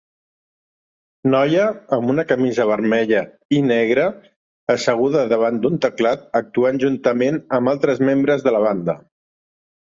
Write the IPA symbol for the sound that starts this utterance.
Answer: n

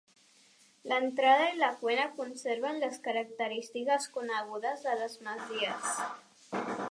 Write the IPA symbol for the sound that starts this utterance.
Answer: l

